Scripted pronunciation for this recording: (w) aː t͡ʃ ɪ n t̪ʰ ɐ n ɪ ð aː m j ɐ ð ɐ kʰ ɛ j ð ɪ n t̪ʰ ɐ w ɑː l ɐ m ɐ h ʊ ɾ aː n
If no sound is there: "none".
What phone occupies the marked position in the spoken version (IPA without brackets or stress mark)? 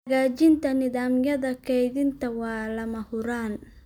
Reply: ɣ